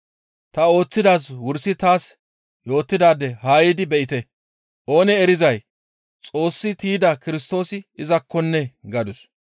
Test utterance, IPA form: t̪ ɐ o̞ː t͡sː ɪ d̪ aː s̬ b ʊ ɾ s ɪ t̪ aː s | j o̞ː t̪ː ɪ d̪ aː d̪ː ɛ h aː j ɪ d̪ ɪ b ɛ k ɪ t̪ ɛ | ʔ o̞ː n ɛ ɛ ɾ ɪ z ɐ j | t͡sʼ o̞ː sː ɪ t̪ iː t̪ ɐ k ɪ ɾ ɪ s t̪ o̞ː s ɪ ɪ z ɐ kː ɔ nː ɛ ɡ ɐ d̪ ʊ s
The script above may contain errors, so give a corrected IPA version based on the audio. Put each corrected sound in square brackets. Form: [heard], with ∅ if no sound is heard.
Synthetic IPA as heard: t̪ ɐ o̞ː t͡sː ɪ d̪ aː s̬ [w] ʊ ɾ s ɪ t̪ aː s | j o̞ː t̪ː ɪ d̪ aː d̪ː ɛ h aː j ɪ d̪ ɪ b ɛ [ʔ] ɪ t̪ ɛ | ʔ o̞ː n ɛ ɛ ɾ ɪ z ɐ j | t͡sʼ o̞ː sː ɪ t̪ iː [d̪] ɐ k ɪ ɾ ɪ s t̪ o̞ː s ɪ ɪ z ɐ kː ɔ nː ɛ ɡ ɐ d̪ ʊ s